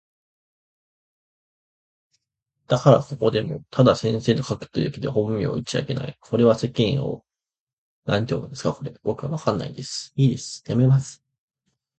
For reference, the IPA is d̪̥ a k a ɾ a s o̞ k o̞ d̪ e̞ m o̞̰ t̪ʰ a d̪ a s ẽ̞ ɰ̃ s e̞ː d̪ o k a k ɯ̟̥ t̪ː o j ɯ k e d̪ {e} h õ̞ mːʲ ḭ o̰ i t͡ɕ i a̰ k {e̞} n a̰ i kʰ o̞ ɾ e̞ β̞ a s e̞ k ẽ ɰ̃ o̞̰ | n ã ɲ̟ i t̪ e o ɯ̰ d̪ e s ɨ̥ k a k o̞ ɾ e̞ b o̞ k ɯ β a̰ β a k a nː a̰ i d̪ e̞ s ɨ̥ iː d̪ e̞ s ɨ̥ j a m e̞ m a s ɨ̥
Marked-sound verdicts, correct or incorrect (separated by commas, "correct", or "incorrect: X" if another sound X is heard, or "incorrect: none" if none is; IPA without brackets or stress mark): correct, correct